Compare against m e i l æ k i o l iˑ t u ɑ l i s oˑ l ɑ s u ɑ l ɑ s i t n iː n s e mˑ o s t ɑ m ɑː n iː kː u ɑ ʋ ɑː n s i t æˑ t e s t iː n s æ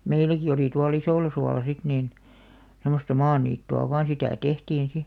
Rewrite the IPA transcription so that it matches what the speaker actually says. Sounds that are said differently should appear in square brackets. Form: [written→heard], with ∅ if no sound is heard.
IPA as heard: m e i l æ k i o l iˑ t u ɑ l i s oˑ l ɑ s u ɑ l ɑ s i t n iː n s e mˑ o s t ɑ m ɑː n iː [kː→tː] u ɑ ʋ ɑː n s i t æˑ t e [s→h] t iː n s [æ→i]